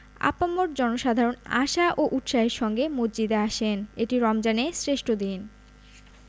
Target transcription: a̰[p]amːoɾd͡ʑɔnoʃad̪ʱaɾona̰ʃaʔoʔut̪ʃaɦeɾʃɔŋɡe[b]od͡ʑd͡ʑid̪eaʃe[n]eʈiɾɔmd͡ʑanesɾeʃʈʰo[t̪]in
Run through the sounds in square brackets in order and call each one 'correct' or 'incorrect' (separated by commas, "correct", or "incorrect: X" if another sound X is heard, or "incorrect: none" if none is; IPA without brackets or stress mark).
correct, incorrect: m, correct, incorrect: d̪